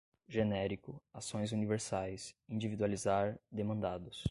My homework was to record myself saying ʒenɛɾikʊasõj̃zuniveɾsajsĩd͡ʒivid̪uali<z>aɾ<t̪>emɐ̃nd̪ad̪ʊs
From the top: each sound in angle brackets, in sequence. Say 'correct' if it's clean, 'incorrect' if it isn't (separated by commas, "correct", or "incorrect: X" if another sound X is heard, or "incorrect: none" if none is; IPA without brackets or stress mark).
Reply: correct, incorrect: d̪